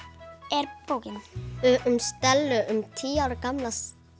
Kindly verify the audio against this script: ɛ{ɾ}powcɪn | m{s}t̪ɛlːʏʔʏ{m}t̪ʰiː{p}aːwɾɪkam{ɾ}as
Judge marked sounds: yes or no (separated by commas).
yes, yes, yes, no, no